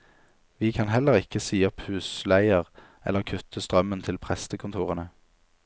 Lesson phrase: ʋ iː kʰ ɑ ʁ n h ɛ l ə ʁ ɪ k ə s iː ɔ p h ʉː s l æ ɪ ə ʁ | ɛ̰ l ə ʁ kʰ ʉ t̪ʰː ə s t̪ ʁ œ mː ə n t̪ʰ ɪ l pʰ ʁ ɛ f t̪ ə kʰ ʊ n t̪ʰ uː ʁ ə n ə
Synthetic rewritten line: ʋ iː kʰ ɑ n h ɛ l ə ʁ ɪ k ə s iː ɔ p h ʉː s l æ ɪ ə ʁ | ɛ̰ l ə ʁ kʰ ʉ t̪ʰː ə s t̪ ʁ œ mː ə n t̪ʰ ɪ l pʰ ʁ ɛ s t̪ ə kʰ ʊ n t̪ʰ uː ʁ ə n ə